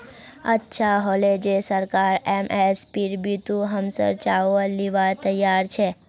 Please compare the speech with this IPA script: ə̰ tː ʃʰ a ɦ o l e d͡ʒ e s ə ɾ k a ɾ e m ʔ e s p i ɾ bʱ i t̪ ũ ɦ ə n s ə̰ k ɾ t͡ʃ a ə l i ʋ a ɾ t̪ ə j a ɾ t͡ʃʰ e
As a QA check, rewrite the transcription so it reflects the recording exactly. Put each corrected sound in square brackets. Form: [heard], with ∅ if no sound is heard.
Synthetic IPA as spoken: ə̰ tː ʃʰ a ɦ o l e d͡ʒ e s ə ɾ k a ɾ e m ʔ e s p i ɾ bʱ i t̪ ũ ɦ ə [m] s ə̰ [∅] ɾ t͡ʃ a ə l i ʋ a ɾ t̪ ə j a ɾ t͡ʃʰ e